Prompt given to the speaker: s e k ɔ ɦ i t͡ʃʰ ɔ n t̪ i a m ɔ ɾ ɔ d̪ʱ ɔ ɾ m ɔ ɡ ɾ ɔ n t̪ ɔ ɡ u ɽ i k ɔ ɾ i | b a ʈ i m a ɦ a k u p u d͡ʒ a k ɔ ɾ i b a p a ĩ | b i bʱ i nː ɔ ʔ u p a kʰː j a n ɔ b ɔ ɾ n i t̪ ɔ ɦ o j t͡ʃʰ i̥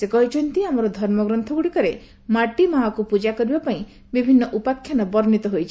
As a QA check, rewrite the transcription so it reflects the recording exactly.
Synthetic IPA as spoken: s e k ɔ ɦ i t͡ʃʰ ɔ n t̪ i a m ɔ ɾ ɔ d̪ʱ ɔ ɾ m ɔ ɡ ɾ ɔ n t̪ʰ ɔ ɡ u ɽ i k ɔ ɾ e | m a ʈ i m a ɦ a k u p u d͡ʒ a k ɔ ɾ i b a p a ĩ | b i bʱ i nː ɔ ʔ u p a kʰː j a n ɔ b ɔ ɾ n i t̪ ɔ ɦ o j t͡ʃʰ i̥